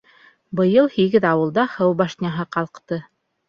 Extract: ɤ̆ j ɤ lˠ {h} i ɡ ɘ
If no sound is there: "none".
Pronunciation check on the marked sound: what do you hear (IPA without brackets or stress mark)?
h